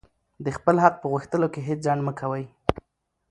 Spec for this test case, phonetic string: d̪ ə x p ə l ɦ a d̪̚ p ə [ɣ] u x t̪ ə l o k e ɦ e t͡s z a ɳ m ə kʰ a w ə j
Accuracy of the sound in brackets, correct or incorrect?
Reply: correct